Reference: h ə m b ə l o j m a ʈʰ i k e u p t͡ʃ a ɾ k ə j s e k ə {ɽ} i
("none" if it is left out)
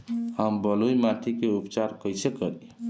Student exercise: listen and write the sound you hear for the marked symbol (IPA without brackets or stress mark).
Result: ɾ